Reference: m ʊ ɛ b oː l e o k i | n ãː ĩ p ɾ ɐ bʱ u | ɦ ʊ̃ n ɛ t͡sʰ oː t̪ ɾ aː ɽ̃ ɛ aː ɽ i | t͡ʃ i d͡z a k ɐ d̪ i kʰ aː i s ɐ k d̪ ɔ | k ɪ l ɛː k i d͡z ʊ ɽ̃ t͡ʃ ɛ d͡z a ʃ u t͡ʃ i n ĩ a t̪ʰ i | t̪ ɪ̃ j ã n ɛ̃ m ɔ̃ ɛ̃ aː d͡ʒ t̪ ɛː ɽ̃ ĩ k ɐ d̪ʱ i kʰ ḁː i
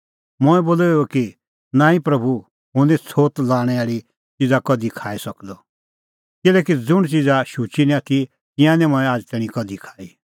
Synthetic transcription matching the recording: m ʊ ɛ b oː l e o k i | n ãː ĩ p ɾ ɐ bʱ u | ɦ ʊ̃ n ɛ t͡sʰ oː t̪ l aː ɽ̃ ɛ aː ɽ i | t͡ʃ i d͡z a k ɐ d̪ i kʰ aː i s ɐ k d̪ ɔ | k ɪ l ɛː k i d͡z ʊ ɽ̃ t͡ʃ i d͡z a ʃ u t͡ʃ i n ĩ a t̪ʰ i | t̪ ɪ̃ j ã n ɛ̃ m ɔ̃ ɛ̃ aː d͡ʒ t̪ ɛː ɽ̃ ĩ k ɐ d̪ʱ i kʰ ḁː i